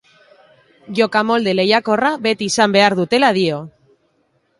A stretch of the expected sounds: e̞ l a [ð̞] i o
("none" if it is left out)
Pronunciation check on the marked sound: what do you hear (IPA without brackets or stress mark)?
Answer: ð̞